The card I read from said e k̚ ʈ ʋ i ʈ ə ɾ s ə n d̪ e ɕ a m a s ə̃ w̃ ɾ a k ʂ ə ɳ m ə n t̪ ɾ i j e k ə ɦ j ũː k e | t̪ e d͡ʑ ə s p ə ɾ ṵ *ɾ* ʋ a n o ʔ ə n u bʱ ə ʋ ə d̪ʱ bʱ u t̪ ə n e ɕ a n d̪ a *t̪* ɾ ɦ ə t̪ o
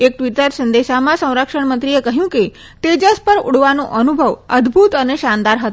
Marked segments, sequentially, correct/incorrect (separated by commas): incorrect, incorrect